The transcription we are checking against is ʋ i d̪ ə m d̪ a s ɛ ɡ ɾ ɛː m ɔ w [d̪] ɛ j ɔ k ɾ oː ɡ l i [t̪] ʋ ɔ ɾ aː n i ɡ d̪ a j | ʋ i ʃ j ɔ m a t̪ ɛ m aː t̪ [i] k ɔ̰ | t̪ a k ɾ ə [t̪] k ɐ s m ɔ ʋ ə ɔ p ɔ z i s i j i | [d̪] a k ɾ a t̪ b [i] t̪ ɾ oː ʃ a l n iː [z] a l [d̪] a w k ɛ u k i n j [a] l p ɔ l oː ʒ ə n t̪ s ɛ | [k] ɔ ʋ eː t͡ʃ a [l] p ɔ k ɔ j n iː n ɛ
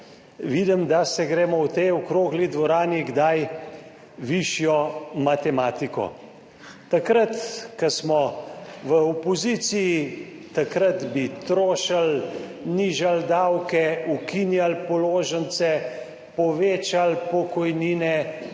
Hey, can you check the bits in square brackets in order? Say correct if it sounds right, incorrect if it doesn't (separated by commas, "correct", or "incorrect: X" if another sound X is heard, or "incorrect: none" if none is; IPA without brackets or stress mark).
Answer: incorrect: t̪, incorrect: d̪, correct, correct, incorrect: t̪, correct, incorrect: ʒ, correct, correct, incorrect: p, correct